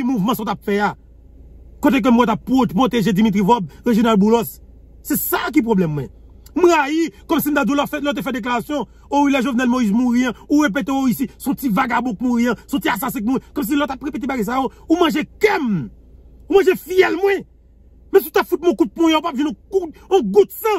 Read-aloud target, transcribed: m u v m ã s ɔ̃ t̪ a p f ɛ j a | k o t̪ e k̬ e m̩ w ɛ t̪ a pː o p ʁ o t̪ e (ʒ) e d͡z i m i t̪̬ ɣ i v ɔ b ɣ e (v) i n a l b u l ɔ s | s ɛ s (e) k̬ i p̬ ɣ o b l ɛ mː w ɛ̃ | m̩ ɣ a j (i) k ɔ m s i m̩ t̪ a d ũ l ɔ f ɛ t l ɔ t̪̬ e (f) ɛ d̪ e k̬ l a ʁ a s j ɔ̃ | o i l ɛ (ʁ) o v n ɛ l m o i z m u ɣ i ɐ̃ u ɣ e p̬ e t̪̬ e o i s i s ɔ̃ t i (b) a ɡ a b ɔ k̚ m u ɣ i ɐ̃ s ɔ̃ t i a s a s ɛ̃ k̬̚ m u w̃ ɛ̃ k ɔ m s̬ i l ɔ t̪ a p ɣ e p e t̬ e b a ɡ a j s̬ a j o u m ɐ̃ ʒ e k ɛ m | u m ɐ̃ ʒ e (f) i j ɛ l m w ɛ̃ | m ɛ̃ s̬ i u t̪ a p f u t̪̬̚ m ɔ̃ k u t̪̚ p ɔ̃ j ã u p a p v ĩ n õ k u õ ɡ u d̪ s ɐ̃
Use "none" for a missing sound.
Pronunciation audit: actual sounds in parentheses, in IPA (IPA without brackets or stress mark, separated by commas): ʒ, ʒ, a, i, f, ʒ, v, f